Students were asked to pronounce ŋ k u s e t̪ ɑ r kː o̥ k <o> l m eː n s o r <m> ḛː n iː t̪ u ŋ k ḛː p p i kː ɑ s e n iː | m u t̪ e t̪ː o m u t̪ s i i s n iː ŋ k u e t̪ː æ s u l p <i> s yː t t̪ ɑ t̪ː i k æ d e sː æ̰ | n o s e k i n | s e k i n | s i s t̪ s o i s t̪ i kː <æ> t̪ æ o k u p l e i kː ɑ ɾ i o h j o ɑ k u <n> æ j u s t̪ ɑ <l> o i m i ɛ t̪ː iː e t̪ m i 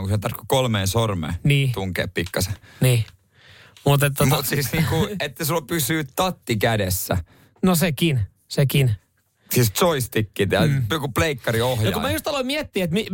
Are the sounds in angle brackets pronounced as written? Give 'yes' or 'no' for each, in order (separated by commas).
yes, yes, no, no, no, yes